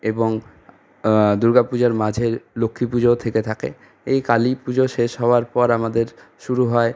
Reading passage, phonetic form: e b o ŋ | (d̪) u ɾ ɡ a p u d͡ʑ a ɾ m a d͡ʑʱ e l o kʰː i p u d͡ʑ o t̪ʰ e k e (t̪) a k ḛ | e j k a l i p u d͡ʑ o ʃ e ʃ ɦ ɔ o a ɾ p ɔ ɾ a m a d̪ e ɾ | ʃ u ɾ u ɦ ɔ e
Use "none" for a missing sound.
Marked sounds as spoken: d̪, t̪ʰ

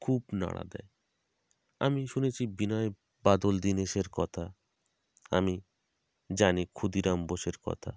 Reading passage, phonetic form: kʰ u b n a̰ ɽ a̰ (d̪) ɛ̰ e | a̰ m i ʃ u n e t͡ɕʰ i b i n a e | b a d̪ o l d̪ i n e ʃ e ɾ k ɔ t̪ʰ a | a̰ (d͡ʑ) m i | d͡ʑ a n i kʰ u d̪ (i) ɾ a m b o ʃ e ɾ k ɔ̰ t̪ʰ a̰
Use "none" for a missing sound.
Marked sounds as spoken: d̪, none, i

